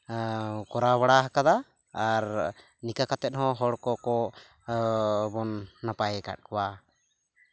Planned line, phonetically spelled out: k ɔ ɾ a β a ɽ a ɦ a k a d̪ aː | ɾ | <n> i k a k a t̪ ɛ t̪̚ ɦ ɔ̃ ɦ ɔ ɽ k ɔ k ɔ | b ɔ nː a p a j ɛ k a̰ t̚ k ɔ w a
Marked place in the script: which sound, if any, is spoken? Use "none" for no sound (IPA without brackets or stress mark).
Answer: n